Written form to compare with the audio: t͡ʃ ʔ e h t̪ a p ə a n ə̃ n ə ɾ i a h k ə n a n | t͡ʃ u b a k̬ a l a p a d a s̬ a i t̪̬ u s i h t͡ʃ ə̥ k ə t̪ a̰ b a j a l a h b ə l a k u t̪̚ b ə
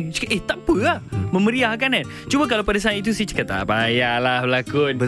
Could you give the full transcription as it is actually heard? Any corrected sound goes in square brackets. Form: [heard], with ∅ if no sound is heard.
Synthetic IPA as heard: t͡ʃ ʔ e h t̪ a p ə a [m] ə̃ [m] ə ɾ i a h k [a] n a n | t͡ʃ u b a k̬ a l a p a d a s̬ a i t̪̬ u s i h t͡ʃ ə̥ k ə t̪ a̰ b a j a l a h b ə l a k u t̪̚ b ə